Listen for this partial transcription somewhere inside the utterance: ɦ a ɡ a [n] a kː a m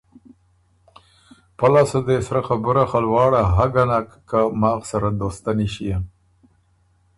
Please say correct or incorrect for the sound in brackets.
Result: correct